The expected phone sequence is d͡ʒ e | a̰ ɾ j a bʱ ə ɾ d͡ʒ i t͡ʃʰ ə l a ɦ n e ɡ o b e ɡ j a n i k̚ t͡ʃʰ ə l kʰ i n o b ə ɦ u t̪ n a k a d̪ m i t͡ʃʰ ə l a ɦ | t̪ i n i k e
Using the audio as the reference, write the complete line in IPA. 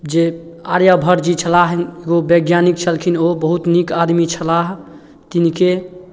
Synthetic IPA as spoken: d͡ʒ e | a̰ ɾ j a bʱ ə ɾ d͡ʒ i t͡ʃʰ ə l a ɦ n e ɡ o b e ɡ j a n i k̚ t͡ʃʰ ə l kʰ i n o b ə ɦ u t̪ n i k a d̪ m i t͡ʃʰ ə l a ɦ | t̪ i n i k e